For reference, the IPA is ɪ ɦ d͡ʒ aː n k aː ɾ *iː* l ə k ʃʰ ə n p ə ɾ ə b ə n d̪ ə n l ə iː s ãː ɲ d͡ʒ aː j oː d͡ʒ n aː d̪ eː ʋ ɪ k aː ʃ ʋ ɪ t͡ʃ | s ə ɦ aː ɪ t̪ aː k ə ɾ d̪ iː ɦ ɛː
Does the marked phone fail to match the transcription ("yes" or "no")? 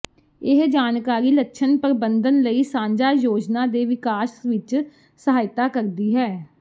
no